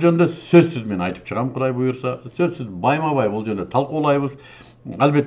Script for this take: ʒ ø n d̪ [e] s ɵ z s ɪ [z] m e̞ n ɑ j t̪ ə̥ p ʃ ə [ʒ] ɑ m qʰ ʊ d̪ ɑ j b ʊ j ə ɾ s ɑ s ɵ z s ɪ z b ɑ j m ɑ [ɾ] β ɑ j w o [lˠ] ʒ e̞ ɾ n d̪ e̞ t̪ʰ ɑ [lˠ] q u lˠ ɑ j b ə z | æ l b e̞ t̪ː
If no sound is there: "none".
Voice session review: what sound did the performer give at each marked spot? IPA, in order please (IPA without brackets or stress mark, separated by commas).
e, z, ʁ, none, lˠ, lˠ